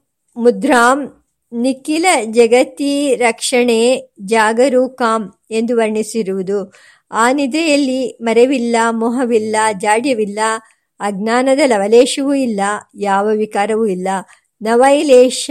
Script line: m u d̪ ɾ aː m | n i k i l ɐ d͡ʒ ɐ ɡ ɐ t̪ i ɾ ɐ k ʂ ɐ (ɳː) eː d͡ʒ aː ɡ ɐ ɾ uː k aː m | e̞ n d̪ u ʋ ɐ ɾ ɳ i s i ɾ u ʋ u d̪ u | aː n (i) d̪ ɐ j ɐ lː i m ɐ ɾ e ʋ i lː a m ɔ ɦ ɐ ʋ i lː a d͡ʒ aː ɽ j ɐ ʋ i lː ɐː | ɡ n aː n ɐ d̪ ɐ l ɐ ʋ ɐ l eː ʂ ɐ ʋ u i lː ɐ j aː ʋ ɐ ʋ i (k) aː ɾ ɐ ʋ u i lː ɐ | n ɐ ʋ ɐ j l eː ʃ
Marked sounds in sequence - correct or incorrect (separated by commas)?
incorrect, correct, correct